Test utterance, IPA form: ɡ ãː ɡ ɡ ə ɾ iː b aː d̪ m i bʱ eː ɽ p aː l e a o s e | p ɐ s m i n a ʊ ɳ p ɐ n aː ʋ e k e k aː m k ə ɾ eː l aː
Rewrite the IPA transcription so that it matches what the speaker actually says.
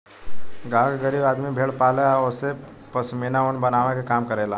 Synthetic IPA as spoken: ɡ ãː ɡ ɡ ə ɾ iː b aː d̪ m i bʱ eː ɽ p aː l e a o s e | p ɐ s m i n a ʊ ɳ b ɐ n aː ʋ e k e k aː m k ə ɾ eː l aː